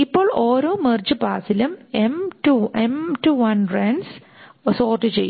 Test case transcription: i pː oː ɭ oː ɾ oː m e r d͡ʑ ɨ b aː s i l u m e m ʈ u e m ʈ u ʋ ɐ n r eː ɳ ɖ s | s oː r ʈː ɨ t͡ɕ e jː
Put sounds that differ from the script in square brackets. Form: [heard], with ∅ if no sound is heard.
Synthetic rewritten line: i pː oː ɭ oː ɾ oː m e r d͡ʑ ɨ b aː s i l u m e m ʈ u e m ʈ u ʋ ɐ n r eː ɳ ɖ s | s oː r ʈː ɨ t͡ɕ e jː

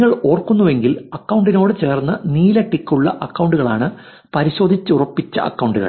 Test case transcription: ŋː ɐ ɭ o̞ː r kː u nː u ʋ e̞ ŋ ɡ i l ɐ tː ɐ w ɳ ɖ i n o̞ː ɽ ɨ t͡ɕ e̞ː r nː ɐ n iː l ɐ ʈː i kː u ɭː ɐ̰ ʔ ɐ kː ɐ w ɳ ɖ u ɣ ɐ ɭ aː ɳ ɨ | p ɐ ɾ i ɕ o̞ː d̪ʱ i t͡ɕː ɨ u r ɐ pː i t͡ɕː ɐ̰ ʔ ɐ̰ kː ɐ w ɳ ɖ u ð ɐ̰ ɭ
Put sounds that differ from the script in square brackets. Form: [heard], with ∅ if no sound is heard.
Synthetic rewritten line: ŋː ɐ ɭ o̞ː r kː u nː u ʋ e̞ ŋ ɡ i l ɐ [kː] ɐ w ɳ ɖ i n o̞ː ɽ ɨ t͡ɕ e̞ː r nː ɐ n iː l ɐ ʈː i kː u ɭː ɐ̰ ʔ ɐ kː ɐ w ɳ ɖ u ɣ ɐ ɭ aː ɳ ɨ | p ɐ ɾ i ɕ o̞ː d̪ʱ i t͡ɕː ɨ u r ɐ pː i t͡ɕː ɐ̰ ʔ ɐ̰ kː ɐ w ɳ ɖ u [ɣ] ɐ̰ ɭ

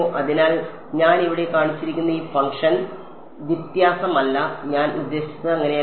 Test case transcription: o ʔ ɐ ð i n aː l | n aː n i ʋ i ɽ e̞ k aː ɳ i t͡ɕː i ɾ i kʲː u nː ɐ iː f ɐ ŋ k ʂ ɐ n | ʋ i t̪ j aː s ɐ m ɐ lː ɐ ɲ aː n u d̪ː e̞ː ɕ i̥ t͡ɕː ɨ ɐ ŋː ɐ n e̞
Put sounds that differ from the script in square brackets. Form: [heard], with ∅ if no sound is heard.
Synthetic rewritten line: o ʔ ɐ ð i n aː l | [ɲ] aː n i ʋ i ɽ e̞ k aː ɳ i t͡ɕː i ɾ i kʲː u nː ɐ iː f ɐ ŋ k ʂ ɐ n | ʋ i t̪ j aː s ɐ m ɐ lː ɐ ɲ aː n u d̪ː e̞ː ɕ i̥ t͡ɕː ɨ ɐ ŋː ɐ n e̞

